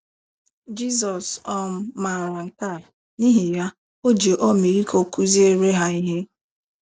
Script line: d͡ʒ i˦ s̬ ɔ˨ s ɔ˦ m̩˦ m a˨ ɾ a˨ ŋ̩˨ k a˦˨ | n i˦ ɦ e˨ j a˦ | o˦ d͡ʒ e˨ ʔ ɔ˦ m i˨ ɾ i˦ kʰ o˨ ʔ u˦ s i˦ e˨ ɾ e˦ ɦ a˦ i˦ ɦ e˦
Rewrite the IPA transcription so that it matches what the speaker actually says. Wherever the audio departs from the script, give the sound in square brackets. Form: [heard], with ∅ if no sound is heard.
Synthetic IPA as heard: d͡ʒ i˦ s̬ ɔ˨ s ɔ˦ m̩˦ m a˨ ɾ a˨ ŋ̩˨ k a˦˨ | n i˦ ɦ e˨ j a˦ | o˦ d͡ʒ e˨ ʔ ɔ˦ m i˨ ɾ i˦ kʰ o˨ [k] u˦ [z] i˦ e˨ ɾ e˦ ɦ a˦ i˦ ɦ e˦